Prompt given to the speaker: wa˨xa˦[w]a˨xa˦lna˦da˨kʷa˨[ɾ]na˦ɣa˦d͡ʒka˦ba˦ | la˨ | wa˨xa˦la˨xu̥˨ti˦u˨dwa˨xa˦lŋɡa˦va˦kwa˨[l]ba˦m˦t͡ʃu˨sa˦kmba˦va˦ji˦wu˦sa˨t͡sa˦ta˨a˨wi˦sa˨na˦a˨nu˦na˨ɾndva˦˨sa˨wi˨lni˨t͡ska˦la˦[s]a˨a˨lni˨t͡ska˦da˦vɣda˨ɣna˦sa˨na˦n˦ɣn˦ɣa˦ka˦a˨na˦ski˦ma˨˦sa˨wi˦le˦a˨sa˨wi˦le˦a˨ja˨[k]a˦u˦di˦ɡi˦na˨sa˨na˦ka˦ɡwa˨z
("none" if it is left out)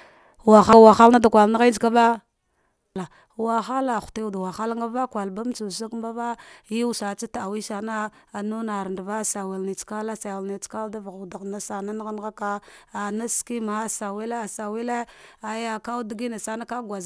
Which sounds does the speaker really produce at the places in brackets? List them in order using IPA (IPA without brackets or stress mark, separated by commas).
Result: w, l, l, s, k